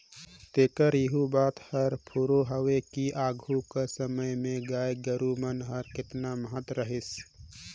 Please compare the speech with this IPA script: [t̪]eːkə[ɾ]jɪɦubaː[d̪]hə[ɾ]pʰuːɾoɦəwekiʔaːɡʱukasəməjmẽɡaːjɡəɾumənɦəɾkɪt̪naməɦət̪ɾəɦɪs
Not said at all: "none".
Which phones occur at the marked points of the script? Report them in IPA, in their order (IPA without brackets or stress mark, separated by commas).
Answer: t̪, ɾ, t̪, ɾ